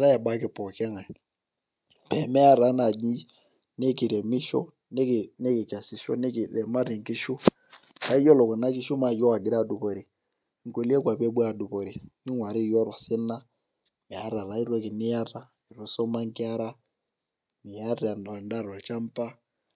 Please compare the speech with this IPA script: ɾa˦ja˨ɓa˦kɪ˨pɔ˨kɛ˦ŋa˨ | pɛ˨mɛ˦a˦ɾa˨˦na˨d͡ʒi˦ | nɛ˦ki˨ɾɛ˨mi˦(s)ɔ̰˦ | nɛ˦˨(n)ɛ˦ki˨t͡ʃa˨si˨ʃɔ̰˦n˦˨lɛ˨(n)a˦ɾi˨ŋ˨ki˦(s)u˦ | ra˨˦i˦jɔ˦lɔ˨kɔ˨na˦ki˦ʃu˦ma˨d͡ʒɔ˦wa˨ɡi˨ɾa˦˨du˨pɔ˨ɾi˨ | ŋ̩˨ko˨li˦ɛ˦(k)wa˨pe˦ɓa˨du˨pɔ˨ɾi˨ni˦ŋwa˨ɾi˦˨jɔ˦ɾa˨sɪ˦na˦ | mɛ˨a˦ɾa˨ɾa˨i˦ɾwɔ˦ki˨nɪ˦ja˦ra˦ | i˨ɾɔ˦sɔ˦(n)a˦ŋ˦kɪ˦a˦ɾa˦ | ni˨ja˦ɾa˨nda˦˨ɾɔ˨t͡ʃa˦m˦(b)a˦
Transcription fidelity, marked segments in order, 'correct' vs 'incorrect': incorrect, correct, incorrect, incorrect, correct, incorrect, incorrect

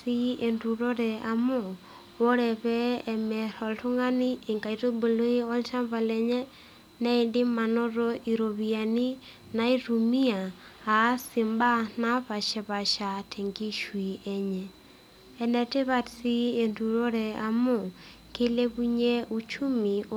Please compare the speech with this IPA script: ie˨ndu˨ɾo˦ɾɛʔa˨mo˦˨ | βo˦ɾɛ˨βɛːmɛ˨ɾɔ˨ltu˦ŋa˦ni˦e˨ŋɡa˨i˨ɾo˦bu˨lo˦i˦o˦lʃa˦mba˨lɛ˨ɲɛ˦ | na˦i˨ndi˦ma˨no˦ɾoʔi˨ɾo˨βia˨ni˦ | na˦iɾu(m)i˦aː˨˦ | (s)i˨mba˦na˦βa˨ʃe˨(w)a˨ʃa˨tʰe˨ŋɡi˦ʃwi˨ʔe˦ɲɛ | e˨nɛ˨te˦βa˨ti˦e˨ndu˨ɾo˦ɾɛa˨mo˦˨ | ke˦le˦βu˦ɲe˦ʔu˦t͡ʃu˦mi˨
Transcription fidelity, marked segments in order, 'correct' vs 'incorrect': correct, correct, incorrect

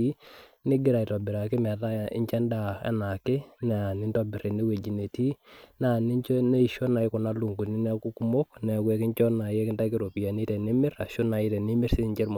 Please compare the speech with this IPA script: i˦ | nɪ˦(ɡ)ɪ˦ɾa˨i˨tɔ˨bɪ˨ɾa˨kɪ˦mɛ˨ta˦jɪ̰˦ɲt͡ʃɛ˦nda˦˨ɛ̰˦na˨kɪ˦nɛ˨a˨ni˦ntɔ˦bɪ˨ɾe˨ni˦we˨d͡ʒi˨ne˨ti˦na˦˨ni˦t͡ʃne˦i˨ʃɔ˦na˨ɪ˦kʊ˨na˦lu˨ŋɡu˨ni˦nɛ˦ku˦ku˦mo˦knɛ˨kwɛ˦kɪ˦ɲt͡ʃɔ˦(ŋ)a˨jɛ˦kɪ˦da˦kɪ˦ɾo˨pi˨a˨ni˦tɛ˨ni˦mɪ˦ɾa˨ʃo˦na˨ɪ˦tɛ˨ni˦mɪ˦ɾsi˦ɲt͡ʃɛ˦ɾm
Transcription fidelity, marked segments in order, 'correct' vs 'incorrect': correct, incorrect

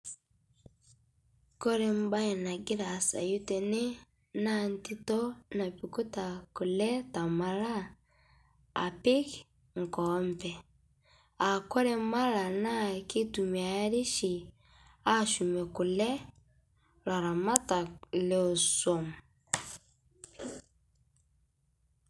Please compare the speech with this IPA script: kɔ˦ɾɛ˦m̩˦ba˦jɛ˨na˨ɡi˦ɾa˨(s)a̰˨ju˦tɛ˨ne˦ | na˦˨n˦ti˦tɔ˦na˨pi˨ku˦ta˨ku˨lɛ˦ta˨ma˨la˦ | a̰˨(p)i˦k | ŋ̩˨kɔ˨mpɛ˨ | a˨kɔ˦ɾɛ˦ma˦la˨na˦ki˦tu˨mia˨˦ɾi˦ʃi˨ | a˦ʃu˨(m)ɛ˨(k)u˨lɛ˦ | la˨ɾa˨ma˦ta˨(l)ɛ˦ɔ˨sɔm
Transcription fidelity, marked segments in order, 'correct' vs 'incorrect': correct, correct, correct, correct, correct

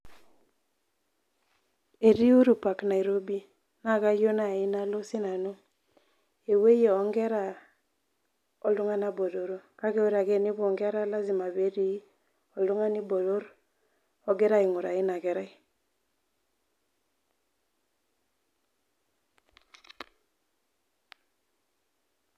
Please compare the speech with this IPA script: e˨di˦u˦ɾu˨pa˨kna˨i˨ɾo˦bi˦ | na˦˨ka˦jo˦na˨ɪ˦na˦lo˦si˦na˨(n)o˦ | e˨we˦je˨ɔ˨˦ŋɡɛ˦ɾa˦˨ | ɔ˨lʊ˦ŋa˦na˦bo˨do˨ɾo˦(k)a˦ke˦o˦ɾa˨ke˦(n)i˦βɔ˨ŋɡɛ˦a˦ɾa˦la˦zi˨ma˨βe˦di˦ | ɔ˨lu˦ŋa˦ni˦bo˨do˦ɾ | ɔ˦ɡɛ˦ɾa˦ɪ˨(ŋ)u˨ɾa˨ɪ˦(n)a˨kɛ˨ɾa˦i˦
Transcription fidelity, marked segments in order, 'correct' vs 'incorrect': correct, correct, correct, correct, correct

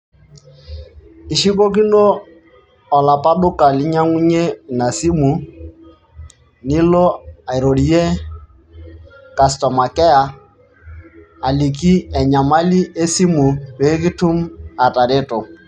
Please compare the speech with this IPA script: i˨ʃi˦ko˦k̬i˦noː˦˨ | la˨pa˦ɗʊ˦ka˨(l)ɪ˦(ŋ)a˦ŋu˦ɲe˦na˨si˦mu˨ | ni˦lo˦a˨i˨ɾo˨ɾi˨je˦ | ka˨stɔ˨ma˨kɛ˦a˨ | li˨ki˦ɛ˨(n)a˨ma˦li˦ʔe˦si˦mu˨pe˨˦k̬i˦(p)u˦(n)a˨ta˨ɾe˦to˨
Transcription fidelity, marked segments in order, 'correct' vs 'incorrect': correct, incorrect, incorrect, incorrect, incorrect

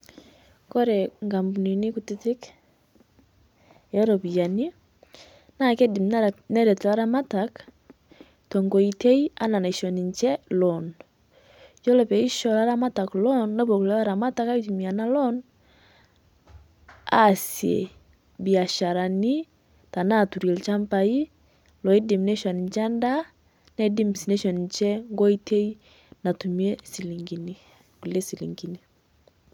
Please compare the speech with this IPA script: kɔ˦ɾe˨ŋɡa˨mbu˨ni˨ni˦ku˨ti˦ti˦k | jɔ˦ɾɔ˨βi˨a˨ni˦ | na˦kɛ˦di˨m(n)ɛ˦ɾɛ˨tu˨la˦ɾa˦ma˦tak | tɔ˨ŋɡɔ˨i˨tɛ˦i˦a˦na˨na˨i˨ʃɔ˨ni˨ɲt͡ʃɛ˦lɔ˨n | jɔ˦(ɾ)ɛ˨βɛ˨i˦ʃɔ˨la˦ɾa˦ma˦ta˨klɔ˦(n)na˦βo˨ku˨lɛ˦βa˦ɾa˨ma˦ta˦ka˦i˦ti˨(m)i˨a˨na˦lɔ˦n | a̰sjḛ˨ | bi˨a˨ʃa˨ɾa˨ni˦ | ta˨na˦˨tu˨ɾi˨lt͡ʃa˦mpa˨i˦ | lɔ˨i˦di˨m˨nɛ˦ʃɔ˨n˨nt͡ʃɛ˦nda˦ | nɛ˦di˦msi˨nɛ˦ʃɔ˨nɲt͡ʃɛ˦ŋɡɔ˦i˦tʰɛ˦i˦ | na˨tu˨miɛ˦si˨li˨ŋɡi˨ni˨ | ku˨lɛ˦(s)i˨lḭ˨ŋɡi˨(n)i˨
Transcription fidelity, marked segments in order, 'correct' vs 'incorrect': correct, incorrect, correct, correct, correct, correct

